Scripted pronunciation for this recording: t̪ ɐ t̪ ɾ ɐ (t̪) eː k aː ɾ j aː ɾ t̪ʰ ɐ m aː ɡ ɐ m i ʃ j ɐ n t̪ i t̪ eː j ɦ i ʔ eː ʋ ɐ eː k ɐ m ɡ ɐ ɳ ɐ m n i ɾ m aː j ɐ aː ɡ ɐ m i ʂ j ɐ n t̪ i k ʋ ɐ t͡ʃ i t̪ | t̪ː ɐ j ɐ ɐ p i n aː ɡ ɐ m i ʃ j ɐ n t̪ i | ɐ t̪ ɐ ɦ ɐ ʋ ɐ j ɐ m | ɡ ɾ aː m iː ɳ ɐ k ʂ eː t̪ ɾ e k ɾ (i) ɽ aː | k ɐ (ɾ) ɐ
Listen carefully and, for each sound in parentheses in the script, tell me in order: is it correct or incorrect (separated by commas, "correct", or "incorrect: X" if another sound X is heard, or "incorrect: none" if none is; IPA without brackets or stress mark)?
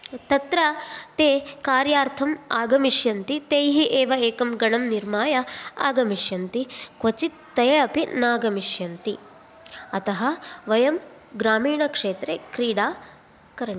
correct, incorrect: iː, correct